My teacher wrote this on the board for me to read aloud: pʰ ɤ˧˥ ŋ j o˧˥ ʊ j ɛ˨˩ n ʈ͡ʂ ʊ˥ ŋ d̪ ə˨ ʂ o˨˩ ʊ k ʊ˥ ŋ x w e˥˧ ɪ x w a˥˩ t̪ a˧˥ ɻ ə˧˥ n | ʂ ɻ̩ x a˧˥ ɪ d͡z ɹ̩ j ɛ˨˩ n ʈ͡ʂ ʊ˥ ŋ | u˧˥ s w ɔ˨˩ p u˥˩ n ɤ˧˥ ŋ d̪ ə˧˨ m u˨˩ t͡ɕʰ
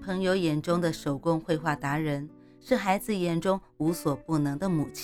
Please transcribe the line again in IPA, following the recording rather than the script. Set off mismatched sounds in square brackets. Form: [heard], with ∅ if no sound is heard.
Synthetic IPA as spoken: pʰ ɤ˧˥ ŋ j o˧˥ ʊ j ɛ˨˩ n ʈ͡ʂ ʊ˥ ŋ d̪ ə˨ ʂ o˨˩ ʊ k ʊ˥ ŋ x w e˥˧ ɪ x w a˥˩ t̪ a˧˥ ɻ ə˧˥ n | ʂ ɻ̩ x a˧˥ ɪ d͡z ɹ̩ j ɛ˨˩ n ʈ͡ʂ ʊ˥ ŋ | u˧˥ s w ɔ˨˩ p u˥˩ n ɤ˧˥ ŋ d̪ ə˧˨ m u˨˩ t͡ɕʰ